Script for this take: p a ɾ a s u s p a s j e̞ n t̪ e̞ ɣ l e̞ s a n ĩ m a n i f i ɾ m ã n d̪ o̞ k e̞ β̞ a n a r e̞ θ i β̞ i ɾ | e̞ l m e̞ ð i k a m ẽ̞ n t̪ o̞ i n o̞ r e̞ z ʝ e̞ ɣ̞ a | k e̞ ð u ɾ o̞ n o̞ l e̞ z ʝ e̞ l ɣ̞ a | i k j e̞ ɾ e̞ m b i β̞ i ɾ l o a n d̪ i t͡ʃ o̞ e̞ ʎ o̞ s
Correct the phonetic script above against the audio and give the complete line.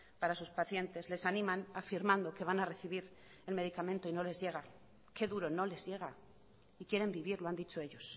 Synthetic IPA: p a ɾ a s u s p a θ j e̞ n t̪ e̞ z l e̞ s a n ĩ m a n a f i ɾ m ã n d̪ o̞ k e̞ β̞ a n a r e̞ θ i β̞ i ɾ | e̞ l m e̞ ð i k a m ẽ̞ n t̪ o̞ i n o̞ l e̞ z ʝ e̞ ɣ̞ a | k e̞ ð u ɾ o̞ n o̞ l e̞ z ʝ e̞ ɣ̞ a | i k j e̞ ɾ e̞ m b i β̞ i ɾ l o a n d̪ i t͡ʃ o̞ e̞ ʎ o̞ s